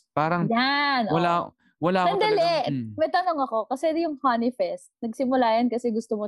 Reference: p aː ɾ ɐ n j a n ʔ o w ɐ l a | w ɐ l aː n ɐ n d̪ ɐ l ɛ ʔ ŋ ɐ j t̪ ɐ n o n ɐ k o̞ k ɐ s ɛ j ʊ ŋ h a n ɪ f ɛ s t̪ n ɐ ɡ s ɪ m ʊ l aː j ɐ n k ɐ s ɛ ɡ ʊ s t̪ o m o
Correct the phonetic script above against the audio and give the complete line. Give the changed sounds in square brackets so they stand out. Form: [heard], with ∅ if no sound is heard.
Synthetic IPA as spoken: p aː ɾ ɐ [ŋ] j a n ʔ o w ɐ l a | w ɐ l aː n ɐ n d̪ ɐ l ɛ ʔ [m] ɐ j t̪ ɐ n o [ŋ] ɐ k o̞ k ɐ s ɛ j ʊ ŋ h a n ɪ f ɛ s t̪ n ɐ ɡ s ɪ m ʊ l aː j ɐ n k ɐ s ɛ ɡ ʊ s t̪ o m o